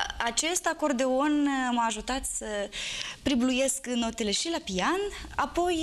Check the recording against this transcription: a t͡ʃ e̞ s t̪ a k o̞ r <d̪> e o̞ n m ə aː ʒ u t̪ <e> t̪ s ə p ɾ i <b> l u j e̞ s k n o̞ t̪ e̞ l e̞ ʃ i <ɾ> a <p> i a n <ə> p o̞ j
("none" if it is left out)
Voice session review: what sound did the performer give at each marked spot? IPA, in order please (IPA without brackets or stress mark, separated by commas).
d̪, a, b, l, p, a